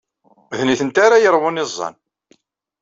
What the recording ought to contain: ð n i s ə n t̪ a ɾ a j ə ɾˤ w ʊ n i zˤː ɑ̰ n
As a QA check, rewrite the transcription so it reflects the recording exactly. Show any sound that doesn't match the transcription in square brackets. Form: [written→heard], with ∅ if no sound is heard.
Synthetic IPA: ð n i [s→θ] ə n t̪ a ɾ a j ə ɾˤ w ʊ n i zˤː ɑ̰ n